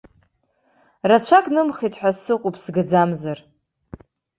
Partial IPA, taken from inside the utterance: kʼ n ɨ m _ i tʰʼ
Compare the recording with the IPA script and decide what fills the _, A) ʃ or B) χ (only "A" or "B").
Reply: B